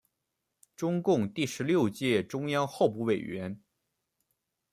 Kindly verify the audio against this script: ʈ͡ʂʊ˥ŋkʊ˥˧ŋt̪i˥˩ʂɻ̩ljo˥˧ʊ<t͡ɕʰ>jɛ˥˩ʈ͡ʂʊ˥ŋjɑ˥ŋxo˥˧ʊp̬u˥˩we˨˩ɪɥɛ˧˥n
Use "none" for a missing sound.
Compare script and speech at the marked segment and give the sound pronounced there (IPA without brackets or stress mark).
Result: t͡ɕ